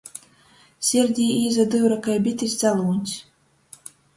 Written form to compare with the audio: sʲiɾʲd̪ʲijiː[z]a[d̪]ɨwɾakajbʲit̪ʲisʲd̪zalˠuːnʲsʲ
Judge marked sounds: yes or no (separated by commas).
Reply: yes, yes